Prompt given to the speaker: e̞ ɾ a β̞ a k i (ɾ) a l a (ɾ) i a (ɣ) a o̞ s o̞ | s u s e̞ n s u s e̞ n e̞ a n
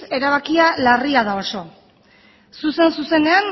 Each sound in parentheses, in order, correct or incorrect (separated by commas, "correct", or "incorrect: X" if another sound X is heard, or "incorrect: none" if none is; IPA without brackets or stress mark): incorrect: none, incorrect: r, incorrect: ð